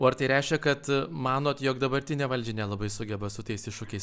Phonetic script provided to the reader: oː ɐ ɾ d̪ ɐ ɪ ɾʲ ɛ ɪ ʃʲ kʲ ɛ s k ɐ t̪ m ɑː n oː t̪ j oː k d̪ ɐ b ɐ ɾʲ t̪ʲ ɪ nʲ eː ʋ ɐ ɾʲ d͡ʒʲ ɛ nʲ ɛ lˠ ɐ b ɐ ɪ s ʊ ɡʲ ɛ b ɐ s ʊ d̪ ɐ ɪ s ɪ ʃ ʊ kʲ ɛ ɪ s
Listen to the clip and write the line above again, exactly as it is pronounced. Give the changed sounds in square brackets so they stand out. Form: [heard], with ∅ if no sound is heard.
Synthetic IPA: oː ɐ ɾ [t̪] ɐ ɪ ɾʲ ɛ ɪ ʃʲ kʲ ɛ [∅] k ɐ t̪ m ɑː n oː t̪ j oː k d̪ ɐ b ɐ ɾʲ t̪ʲ ɪ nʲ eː ʋ ɐ [lʲ] d͡ʒʲ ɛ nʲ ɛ lˠ ɐ b ɐ ɪ s ʊ ɡʲ ɛ b ɐ s ʊ [t̪] ɐ ɪ s ɪ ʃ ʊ kʲ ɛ ɪ s